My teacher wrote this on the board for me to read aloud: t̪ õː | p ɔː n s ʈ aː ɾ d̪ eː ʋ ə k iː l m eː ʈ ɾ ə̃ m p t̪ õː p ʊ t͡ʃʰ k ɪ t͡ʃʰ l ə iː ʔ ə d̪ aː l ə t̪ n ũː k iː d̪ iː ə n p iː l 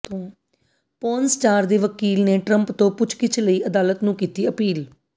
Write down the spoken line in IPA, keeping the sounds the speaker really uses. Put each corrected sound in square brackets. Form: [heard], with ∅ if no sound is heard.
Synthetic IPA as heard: t̪ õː | p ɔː n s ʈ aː ɾ d̪ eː ʋ ə k iː l [n] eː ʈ ɾ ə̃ m p t̪ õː p ʊ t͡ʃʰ k ɪ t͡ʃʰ l ə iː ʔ ə d̪ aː l ə t̪ n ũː k iː [t̪] iː ə [∅] p iː l

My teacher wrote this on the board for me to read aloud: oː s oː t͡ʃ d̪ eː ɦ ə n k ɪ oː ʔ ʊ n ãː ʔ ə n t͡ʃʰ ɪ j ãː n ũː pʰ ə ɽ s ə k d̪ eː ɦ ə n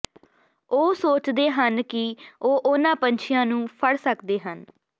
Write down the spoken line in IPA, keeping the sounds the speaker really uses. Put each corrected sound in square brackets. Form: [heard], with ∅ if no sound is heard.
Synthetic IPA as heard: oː s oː t͡ʃ d̪ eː ɦ ə n k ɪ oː ʔ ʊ n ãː [p] ə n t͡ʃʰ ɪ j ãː n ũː pʰ ə ɽ s ə k d̪ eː ɦ ə n

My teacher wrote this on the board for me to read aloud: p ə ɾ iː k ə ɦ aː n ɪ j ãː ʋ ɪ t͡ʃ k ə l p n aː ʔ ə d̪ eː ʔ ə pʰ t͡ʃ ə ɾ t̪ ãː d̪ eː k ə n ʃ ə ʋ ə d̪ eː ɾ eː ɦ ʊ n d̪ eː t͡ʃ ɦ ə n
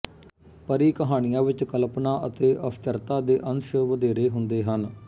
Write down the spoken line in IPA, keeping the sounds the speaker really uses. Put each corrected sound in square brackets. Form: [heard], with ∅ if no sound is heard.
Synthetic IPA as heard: p ə ɾ iː k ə ɦ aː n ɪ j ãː ʋ ɪ t͡ʃ k ə l p n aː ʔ ə [t̪] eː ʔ ə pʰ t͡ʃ ə ɾ t̪ [aː] d̪ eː [ʔ] ə n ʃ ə ʋ ə d̪ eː ɾ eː ɦ ʊ n d̪ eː [∅] ɦ ə n

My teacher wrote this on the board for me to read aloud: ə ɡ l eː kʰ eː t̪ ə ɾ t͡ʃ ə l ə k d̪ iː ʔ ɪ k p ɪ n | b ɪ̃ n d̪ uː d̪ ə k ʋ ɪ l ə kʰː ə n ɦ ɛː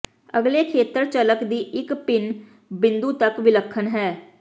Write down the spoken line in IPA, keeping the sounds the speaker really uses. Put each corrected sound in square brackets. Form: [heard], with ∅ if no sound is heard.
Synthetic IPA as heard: ə ɡ l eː kʰ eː t̪ ə ɾ t͡ʃ ə l ə k d̪ iː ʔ ɪ k p ɪ n | b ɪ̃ n d̪ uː [t̪] ə k ʋ ɪ l ə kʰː ə n ɦ ɛː

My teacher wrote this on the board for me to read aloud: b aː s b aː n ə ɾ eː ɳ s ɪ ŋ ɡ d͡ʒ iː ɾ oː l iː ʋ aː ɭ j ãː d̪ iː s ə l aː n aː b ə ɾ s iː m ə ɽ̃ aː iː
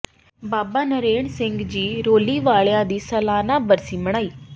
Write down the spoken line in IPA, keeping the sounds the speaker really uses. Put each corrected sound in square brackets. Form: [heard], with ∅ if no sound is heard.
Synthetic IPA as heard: b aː [∅] b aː n ə ɾ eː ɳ s ɪ ŋ ɡ d͡ʒ iː ɾ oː l iː ʋ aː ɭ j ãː d̪ iː s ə l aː n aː b ə ɾ s iː m ə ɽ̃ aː iː

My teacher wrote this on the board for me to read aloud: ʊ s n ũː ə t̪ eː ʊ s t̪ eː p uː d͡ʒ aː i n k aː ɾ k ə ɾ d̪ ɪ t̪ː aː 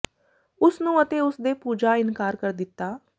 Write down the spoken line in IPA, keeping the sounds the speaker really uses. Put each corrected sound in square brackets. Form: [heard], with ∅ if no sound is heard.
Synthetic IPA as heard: ʊ s n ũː ə t̪ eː ʊ s [d̪] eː p uː d͡ʒ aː [ɪ] n k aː ɾ k ə ɾ d̪ ɪ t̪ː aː

